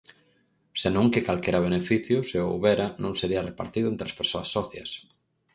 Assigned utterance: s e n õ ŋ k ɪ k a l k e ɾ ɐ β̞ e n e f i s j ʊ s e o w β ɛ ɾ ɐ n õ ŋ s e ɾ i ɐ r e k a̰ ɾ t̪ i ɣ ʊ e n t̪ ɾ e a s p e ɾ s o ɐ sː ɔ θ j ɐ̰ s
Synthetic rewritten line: s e n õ ŋ k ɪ k a l k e ɾ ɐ β̞ e n e f i θ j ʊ s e o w β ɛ ɾ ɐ n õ ŋ s e ɾ i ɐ r e p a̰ ɾ t̪ i ð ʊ e n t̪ ɾ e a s p e ɾ s o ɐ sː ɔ θ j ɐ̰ s